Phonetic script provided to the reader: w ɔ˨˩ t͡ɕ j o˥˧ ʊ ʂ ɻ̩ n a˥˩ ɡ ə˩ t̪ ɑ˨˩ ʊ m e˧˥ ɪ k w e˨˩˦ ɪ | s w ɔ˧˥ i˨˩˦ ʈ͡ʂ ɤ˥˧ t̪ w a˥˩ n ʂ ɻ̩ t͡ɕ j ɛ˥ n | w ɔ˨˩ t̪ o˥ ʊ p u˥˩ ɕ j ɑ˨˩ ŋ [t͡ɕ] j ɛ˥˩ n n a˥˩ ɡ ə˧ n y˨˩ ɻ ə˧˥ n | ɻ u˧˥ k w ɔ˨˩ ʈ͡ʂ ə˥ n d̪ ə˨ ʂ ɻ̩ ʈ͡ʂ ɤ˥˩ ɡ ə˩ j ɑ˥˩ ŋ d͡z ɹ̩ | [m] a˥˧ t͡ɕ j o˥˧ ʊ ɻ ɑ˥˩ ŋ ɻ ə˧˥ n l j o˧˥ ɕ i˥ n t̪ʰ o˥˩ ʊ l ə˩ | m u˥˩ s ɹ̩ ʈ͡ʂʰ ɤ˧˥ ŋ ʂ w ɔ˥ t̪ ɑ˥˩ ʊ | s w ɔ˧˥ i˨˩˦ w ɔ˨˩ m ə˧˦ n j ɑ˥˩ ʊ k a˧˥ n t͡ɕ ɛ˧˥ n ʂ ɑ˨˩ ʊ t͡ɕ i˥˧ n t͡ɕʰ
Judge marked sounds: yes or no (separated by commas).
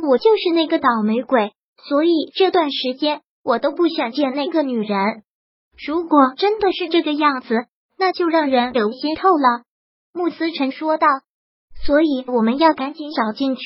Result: yes, no